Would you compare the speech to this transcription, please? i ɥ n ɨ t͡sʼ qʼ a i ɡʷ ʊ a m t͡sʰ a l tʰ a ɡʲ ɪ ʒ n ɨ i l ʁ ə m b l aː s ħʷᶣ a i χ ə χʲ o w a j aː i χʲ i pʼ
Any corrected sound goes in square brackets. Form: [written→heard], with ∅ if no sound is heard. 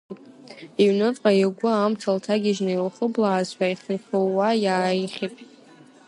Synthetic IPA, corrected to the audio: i ɥ n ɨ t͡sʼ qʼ a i ɡʷ ʊ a m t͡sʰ a l tʰ a ɡʲ ɪ ʒ n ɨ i l [ʁ→χ] ə [m→∅] b l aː [s→z] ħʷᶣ a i χ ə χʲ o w a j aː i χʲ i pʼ